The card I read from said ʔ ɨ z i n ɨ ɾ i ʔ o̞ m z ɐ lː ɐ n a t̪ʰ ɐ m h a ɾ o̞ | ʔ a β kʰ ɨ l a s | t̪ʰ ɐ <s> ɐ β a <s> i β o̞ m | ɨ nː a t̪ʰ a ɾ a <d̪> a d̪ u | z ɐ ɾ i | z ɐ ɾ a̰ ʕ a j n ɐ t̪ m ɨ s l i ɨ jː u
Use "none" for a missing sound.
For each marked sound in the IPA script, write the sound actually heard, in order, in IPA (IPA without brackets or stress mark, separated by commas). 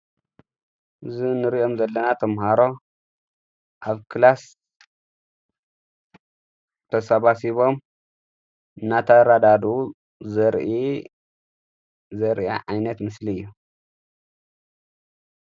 s, s, d̪